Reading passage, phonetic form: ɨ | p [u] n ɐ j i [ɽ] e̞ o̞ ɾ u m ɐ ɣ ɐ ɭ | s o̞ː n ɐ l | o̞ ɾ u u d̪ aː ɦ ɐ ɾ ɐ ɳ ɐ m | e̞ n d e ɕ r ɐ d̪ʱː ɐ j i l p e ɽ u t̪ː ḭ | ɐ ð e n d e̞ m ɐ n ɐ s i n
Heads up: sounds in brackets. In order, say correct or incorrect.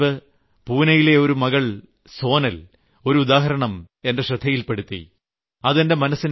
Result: incorrect, incorrect

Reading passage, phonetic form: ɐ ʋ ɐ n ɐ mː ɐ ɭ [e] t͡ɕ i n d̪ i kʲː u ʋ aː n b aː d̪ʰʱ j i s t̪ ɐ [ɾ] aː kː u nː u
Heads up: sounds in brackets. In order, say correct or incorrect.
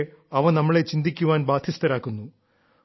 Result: correct, correct

